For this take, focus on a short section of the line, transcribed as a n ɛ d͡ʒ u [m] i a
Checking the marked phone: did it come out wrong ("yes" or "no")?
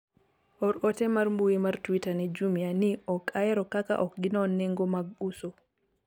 no